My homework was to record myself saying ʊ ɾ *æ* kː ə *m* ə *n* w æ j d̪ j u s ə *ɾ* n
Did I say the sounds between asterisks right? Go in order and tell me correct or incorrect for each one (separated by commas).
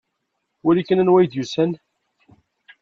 incorrect, incorrect, correct, incorrect